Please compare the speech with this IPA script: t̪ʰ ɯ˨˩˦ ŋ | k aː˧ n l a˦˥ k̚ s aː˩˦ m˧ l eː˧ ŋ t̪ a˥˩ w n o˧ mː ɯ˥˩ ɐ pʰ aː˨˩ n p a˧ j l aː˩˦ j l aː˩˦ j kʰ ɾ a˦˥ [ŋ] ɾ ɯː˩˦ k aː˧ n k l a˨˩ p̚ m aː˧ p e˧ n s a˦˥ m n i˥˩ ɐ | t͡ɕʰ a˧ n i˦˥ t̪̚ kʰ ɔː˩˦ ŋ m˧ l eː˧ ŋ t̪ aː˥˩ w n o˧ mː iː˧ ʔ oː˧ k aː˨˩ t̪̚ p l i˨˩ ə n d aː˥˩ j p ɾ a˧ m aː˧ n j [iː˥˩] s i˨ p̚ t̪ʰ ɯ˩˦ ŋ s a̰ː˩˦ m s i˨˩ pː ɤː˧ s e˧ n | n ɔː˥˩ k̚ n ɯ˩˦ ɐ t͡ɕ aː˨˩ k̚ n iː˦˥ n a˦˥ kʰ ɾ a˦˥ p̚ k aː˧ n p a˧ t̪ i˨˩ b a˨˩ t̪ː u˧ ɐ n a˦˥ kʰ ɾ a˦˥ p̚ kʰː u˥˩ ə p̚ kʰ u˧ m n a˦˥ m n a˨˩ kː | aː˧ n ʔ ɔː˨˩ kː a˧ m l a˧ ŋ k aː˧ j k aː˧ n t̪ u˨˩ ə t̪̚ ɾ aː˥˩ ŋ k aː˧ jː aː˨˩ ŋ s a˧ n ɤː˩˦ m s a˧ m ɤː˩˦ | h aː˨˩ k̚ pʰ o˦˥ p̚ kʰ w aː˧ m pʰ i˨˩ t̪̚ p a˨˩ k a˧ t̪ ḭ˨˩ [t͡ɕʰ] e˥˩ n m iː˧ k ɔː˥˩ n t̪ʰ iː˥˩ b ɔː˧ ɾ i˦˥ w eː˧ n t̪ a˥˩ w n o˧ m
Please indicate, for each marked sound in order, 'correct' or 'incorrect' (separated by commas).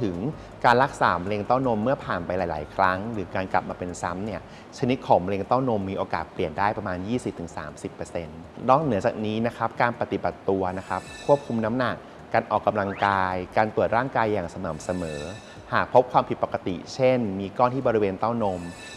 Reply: correct, correct, correct